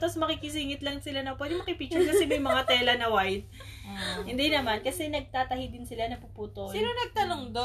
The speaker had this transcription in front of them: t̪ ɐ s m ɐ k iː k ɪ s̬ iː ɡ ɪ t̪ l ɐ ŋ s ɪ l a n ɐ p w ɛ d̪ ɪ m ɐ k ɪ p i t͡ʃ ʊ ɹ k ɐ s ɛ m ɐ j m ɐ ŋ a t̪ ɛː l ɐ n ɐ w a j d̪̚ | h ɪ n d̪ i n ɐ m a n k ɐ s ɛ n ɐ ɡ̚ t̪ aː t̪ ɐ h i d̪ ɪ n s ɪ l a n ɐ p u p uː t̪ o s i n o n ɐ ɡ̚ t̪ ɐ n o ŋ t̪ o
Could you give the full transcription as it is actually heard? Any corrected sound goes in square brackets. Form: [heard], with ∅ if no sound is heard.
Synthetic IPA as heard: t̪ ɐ s m ɐ k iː k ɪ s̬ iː [ŋ] ɪ t̪ l ɐ ŋ s ɪ l a n ɐ p w ɛ d̪ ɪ m ɐ k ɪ p i t͡ʃ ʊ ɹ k ɐ s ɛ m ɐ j m ɐ ŋ a t̪ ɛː l ɐ n ɐ w a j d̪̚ | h ɪ n d̪ i n ɐ m a n k ɐ s ɛ n ɐ ɡ̚ t̪ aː t̪ ɐ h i d̪ ɪ n s ɪ l a n ɐ p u p uː t̪ o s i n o n ɐ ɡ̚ t̪ ɐ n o ŋ [d̪] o